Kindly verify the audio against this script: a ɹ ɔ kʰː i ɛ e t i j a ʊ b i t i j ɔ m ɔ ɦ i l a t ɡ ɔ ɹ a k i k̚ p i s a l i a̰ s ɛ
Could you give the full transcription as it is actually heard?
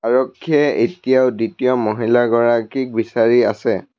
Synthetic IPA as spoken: a ɹ ɔ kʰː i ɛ e t i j a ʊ d i t i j ɔ m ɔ ɦ i l a ɡ ɔ ɹ a k i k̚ b i s a ɹ i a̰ s ɛ